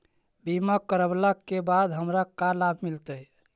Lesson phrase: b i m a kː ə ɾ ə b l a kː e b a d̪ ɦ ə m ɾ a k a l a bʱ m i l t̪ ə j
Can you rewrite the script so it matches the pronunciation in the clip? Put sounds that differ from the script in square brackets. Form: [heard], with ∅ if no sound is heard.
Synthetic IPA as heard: b i m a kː ə ɾ ə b l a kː e b a d̪ ɦ ə m ɾ a k a l a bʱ m i l t̪ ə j